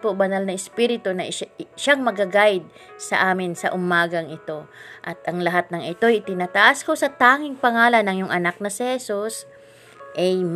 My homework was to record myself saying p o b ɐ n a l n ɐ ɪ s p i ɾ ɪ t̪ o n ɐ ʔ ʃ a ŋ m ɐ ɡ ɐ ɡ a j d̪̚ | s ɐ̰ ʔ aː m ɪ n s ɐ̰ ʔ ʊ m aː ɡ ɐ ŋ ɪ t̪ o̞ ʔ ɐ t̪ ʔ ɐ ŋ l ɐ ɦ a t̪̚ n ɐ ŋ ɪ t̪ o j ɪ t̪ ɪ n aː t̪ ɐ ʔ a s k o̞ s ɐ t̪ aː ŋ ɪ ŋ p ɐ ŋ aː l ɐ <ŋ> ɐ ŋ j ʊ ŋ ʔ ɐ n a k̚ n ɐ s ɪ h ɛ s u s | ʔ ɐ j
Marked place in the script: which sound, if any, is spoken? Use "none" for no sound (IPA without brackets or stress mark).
n